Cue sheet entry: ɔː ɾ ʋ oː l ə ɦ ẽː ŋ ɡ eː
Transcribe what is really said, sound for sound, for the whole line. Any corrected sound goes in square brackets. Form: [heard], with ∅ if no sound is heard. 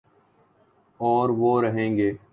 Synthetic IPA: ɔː ɾ ʋ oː [ɾ] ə ɦ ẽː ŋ ɡ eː